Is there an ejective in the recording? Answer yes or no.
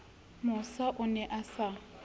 no